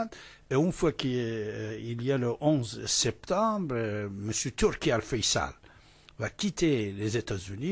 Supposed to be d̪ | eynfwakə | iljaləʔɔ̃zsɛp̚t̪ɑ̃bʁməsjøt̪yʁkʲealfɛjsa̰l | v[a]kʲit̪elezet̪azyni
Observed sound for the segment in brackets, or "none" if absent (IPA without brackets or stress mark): a